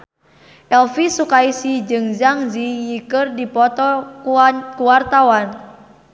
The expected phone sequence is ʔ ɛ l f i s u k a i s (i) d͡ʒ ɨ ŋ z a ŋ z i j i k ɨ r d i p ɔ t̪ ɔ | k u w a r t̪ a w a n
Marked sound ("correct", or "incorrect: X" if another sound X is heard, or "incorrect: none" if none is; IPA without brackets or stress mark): correct